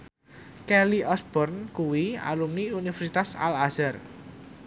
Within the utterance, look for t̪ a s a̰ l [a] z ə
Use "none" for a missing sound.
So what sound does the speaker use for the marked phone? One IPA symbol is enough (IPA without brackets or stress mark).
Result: a